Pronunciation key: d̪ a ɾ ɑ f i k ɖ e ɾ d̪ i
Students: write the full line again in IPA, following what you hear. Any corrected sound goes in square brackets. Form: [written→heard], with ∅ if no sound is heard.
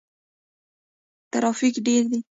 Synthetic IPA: [d̪→t̪] a ɾ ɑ f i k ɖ e ɾ d̪ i